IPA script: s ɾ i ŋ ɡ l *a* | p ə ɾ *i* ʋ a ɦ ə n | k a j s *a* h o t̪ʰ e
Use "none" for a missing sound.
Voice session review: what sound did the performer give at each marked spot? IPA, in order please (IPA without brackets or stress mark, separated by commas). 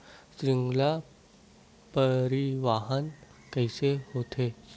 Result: a, i, e